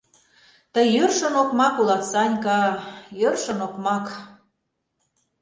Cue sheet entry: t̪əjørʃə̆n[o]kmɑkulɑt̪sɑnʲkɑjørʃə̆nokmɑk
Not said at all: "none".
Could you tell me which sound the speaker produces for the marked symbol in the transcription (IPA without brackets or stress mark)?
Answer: o